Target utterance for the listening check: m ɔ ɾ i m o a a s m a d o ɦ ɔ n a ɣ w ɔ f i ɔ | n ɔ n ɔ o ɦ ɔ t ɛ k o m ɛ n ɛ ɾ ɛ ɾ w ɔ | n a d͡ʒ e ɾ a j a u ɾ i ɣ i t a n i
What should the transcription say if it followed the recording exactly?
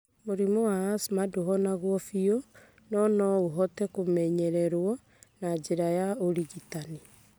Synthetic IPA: m o ɾ i m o a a s m a d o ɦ ɔ n a ɣ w ɔ f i ɔ | n ɔ n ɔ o ɦ ɔ t ɛ k o m ɛ ɲ ɛ ɾ ɛ ɾ w ɔ | n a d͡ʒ e ɾ a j a o ɾ i ɣ i t a n i